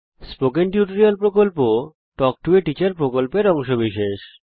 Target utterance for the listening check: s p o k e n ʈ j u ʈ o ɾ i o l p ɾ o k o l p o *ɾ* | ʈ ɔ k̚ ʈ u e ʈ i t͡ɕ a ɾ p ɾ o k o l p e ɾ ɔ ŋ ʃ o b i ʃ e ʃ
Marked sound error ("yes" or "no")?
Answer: yes